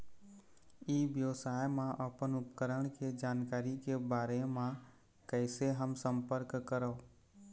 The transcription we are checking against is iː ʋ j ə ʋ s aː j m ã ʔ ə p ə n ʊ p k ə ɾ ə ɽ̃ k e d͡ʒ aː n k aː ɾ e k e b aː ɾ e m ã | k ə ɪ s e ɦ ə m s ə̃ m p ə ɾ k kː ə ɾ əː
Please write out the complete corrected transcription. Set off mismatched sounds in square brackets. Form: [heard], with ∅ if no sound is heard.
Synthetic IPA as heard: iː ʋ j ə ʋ s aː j m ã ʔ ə p ə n ʊ p k ə ɾ ə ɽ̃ k e d͡ʒ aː n k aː ɾ [i] k e b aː ɾ e m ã | k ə ɪ s e ɦ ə m s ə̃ m p ə ɾ k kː ə ɾ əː